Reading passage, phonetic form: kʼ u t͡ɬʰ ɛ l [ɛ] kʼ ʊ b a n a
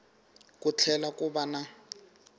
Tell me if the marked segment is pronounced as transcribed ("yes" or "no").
no